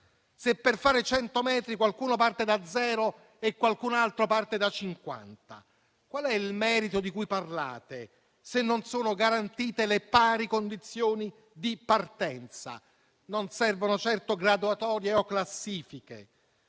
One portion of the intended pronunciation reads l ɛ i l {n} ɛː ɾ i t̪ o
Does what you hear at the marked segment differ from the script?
yes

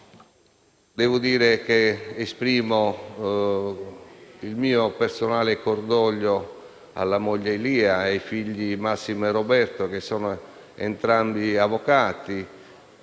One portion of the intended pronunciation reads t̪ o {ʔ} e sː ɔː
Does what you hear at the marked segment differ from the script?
yes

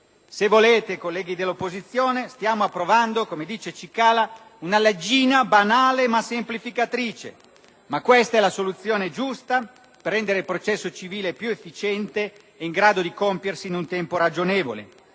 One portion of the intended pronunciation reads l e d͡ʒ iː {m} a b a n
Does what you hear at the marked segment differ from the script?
yes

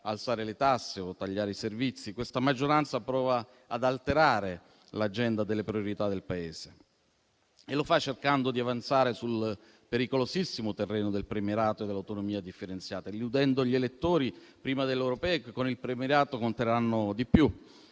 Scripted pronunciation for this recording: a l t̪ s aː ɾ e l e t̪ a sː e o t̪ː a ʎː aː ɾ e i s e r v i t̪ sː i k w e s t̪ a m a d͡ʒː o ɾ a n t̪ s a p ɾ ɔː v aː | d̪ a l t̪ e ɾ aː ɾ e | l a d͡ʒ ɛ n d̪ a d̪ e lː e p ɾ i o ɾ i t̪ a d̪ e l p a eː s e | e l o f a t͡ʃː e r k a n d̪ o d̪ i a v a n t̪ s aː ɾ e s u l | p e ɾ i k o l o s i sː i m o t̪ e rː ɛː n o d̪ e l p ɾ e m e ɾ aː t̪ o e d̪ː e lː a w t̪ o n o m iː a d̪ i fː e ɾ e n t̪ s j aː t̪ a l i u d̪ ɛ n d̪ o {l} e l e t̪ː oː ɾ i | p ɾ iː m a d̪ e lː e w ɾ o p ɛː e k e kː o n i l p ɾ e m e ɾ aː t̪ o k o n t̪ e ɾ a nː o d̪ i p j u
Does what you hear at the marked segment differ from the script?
yes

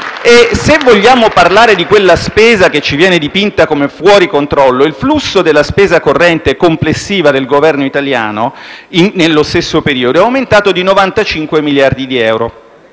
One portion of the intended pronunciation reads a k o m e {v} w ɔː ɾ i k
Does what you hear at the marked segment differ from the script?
yes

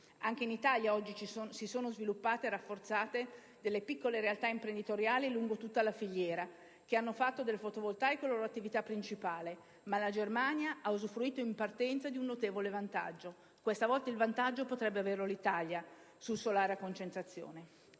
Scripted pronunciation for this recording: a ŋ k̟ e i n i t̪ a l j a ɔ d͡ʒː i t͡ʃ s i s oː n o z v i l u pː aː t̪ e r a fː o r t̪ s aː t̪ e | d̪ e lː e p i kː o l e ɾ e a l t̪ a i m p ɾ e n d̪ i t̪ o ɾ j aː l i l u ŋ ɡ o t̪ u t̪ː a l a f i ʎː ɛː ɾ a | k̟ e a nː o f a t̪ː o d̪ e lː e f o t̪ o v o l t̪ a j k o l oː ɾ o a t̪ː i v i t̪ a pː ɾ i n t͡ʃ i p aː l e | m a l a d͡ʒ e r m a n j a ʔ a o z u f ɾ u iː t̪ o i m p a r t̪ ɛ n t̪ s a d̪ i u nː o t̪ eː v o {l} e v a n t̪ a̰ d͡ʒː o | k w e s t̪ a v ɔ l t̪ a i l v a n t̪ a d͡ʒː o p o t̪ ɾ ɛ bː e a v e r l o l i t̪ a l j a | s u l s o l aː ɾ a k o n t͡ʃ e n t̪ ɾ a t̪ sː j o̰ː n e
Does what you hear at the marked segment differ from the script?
no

